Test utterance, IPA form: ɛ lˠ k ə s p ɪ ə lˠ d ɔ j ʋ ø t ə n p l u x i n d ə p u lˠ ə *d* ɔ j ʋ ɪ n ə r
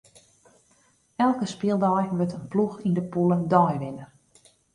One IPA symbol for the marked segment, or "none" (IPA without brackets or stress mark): d